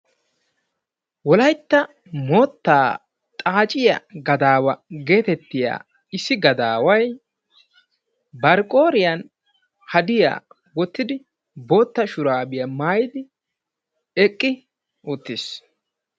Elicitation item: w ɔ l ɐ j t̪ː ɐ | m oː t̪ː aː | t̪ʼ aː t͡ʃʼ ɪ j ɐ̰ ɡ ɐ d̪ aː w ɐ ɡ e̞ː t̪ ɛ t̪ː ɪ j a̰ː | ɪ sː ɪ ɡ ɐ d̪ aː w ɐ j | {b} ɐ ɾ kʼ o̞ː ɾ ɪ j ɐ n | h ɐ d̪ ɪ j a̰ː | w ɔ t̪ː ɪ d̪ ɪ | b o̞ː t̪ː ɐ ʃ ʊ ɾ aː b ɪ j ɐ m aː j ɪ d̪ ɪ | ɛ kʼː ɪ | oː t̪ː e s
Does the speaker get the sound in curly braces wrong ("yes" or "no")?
no